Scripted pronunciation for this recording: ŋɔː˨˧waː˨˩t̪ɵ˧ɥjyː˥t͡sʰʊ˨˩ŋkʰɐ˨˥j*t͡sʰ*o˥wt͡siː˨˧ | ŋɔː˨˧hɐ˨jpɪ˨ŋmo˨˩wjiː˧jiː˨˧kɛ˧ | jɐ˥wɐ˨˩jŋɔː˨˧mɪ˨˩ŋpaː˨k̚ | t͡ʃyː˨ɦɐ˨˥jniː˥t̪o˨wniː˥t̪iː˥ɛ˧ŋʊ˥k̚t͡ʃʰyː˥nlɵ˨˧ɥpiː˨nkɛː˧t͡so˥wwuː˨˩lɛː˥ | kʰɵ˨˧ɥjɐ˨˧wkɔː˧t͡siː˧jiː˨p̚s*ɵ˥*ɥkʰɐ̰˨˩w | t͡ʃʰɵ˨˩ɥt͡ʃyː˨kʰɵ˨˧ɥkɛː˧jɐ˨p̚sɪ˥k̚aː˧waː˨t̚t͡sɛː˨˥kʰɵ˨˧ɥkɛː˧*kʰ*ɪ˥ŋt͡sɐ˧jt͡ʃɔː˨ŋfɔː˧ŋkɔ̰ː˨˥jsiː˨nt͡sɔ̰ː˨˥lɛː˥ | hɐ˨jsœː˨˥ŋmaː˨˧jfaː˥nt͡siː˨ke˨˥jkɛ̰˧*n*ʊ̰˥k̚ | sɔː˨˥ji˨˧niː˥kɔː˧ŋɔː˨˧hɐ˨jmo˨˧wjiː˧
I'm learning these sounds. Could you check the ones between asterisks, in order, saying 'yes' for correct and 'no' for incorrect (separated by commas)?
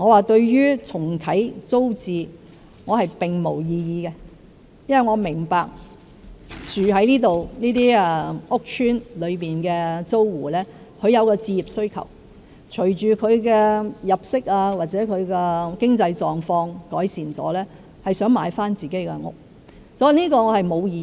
no, yes, no, no